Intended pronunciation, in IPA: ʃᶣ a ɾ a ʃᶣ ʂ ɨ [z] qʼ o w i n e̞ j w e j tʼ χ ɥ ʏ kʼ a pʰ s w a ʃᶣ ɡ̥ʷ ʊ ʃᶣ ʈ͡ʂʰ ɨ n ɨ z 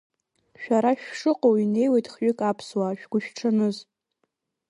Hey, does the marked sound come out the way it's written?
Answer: no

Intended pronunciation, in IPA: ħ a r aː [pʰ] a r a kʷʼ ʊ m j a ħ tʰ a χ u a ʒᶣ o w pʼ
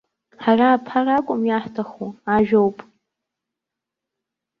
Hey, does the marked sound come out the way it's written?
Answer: yes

